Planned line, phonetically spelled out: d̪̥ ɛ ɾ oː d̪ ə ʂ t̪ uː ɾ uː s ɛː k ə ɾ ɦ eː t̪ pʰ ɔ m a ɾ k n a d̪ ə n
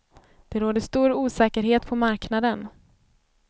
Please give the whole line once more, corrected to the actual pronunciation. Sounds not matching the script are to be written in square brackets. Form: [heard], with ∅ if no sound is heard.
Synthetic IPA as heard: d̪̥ ɛ ɾ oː d̪ ə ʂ t̪ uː ɾ uː s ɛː k ə ɾ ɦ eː t̪ pʰ ɔ m a ɾ k n a d̪ ə n